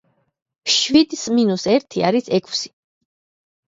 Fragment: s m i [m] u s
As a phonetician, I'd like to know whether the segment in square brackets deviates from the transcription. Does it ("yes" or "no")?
yes